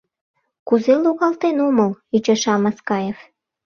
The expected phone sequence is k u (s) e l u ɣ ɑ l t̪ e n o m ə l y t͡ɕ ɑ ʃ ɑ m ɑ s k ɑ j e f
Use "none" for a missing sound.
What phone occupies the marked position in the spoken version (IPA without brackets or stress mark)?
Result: z